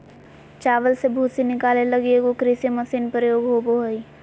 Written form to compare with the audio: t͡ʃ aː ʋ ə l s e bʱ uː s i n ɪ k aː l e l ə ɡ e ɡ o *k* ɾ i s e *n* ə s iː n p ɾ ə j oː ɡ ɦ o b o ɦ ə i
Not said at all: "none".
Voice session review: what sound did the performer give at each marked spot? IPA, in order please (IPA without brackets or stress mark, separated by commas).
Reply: k, m